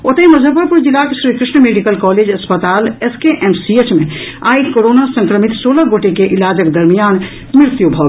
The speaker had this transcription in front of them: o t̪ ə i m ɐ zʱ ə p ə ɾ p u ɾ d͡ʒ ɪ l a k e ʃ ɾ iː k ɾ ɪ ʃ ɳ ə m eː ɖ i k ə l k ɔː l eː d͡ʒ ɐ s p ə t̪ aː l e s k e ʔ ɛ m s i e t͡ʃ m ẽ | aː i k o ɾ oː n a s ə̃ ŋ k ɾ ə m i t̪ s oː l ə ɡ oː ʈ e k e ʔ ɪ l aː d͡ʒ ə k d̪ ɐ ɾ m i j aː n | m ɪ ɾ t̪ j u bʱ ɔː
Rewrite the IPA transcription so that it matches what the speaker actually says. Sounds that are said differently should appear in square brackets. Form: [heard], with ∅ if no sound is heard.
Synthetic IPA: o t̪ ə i m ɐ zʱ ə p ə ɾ p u ɾ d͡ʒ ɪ l a k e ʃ ɾ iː k ɾ ɪ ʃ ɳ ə m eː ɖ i k ə l k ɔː l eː d͡ʒ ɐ s p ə t̪ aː l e s k e ʔ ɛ m s i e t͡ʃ m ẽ | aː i k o ɾ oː n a s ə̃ ŋ k ɾ ə m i t̪ s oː l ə ɡ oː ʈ e k e ʔ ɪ l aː d͡ʒ ə k d̪ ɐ ɾ m i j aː n | m ɪ ɾ t̪ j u bʱ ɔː